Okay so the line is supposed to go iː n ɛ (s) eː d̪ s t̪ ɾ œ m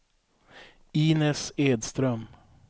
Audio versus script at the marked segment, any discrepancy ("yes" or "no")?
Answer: no